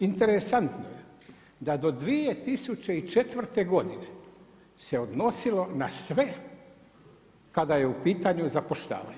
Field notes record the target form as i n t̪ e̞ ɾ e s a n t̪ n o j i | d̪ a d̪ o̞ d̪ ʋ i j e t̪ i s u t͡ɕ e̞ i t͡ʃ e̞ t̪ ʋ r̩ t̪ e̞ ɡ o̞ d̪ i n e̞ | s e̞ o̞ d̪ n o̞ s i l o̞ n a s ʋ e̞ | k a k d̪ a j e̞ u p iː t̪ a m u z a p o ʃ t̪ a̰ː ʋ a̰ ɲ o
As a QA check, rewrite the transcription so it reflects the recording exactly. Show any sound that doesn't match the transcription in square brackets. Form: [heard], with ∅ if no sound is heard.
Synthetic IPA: i n t̪ e̞ ɾ e s a n t̪ n o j [e] | d̪ a d̪ o̞ d̪ ʋ i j e t̪ i s u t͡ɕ e̞ i t͡ʃ e̞ t̪ ʋ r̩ t̪ e̞ ɡ o̞ d̪ i n e̞ | s e̞ o̞ d̪ n o̞ s i l o̞ n a s ʋ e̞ | k a [∅] d̪ a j e̞ u p iː t̪ a [ɲ] u z a p o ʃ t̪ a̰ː ʋ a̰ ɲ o